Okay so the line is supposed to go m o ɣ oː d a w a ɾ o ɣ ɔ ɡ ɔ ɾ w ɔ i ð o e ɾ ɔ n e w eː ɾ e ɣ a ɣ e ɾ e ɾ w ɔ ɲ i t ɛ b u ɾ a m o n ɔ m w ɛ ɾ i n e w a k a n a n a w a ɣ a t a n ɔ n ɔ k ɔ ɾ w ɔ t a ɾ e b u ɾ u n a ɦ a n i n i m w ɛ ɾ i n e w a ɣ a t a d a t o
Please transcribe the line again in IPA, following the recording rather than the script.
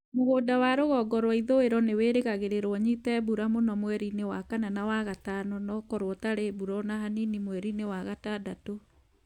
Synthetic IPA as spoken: m o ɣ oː d a w a ɾ o ɣ ɔ ɡ ɔ ɾ w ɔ i ð o e ɾ ɔ n e w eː ɾ e ɣ a ɣ e ɾ e ɾ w ɔ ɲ i t ɛ b u ɾ a m o n ɔ m w ɛ ɾ i n e w a k a n a n a w a ɣ a t a n ɔ n ɔ k ɔ ɾ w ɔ t a ɾ e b u ɾ ɔ n a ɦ a n i n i m w ɛ ɾ i n e w a ɣ a t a d a t o